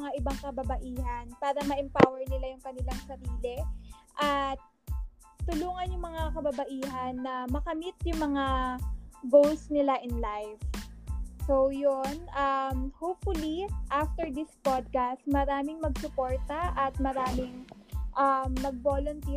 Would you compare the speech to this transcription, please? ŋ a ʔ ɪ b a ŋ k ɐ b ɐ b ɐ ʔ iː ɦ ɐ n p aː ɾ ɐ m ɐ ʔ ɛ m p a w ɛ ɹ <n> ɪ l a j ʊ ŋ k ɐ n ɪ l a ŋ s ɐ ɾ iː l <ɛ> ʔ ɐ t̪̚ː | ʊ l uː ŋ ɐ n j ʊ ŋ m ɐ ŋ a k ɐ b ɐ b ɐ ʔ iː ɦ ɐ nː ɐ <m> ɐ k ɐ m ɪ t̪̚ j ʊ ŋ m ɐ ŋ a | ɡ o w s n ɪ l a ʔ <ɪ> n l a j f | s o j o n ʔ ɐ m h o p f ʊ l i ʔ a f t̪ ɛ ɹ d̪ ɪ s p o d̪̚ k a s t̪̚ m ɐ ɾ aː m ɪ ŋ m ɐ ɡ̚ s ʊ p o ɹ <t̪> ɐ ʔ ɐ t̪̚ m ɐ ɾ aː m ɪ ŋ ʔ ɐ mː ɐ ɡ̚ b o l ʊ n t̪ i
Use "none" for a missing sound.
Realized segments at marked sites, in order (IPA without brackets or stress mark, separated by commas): n, ɛ, m, ɪ, t̪